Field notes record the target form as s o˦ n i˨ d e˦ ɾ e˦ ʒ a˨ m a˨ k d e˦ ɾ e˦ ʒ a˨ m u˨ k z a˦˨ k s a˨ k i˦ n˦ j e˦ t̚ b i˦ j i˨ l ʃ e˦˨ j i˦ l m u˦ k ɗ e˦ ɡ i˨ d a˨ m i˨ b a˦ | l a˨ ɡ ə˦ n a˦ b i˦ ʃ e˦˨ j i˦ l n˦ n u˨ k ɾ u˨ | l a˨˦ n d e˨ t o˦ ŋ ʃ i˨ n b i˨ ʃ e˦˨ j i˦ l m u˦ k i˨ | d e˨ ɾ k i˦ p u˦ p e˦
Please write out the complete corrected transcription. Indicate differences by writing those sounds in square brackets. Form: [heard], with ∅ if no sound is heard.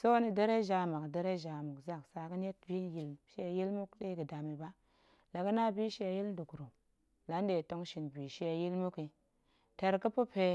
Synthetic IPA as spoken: s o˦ n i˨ d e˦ ɾ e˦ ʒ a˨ m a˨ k d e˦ ɾ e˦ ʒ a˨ m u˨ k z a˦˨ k s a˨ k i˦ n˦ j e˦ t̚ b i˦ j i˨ l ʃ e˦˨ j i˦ l m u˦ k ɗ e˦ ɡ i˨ d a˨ m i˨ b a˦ | l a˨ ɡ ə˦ n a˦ b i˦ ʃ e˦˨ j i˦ l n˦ [d] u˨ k ɾ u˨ | l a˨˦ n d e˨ t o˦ ŋ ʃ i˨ n b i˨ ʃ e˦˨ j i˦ l m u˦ k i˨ | [t] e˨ ɾ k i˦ p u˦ p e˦